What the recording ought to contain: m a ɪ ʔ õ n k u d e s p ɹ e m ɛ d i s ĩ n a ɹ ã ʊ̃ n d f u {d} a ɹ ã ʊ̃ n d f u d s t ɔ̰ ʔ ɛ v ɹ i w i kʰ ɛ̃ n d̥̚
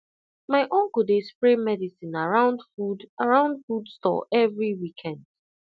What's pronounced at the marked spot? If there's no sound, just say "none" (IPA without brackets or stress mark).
d